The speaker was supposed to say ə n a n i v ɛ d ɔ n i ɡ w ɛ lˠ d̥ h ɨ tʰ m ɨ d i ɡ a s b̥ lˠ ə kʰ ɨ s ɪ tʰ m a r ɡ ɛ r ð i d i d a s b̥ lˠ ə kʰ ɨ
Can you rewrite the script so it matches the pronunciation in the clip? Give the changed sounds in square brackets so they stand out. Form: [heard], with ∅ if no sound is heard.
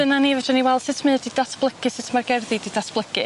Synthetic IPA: ə n a n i v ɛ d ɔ n i [∅] w ɛ lˠ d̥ [s] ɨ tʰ m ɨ d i [d] a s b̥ lˠ ə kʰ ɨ s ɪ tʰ m a r ɡ ɛ r ð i d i d a s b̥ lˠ ə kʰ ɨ